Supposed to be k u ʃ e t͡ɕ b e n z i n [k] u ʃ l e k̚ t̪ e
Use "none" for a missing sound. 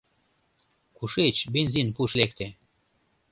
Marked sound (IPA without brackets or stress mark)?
p